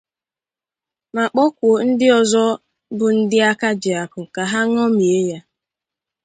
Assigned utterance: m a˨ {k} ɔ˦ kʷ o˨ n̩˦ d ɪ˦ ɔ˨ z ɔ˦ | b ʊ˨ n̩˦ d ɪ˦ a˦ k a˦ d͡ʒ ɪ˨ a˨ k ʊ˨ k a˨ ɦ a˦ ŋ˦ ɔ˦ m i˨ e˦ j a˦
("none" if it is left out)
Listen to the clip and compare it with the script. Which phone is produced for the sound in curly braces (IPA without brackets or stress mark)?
k͡p